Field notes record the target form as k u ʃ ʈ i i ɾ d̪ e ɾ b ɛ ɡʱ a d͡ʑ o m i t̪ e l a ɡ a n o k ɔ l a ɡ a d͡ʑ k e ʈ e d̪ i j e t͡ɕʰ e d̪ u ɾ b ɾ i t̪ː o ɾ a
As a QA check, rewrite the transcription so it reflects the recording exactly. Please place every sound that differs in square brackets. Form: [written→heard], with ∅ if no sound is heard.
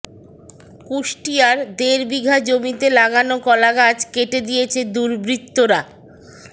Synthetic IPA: k u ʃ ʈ i [i→a] ɾ d̪ e ɾ b [ɛ→i] ɡʱ a d͡ʑ o m i t̪ e l a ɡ a n o k ɔ l a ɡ a d͡ʑ k e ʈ e d̪ i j e t͡ɕʰ e d̪ u ɾ b ɾ i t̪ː o ɾ a

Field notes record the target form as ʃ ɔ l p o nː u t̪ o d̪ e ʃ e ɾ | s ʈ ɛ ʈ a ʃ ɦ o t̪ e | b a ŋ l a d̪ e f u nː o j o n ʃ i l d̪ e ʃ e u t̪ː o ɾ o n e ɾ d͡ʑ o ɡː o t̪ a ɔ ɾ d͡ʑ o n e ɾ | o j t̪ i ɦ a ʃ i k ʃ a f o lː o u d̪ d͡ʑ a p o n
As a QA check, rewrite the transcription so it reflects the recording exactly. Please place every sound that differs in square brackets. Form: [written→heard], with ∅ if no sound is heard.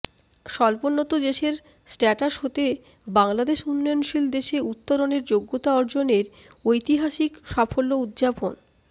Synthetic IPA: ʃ ɔ l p o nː [u→o] t̪ o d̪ e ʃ e ɾ | s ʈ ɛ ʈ a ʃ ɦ o t̪ e | b a ŋ l a d̪ e [f→ʃ] u nː [o→ɔ] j o n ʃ i l d̪ e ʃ e u t̪ː o ɾ o n e ɾ d͡ʑ o ɡː o t̪ a ɔ ɾ d͡ʑ o n e ɾ | o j t̪ i ɦ a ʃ i k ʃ a f o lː o u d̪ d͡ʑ a p o n

